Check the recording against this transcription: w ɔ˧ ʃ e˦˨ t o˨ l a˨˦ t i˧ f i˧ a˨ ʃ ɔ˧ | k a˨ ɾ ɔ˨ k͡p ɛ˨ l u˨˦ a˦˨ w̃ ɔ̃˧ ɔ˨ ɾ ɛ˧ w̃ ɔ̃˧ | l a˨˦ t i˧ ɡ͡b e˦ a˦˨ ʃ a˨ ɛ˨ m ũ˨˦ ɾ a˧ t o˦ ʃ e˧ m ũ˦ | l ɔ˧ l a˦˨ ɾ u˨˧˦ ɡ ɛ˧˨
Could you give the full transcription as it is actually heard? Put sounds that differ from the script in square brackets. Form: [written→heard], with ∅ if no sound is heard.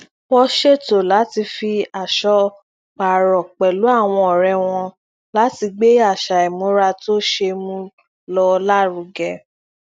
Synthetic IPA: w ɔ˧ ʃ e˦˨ t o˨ l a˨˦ t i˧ f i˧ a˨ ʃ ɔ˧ | [k→k͡p] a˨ ɾ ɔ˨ k͡p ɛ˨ l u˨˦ a˦˨ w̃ ɔ̃˧ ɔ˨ ɾ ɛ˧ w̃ ɔ̃˧ | l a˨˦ t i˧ ɡ͡b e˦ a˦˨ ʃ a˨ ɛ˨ m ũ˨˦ ɾ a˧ t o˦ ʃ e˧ m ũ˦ | l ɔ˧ l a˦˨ ɾ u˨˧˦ ɡ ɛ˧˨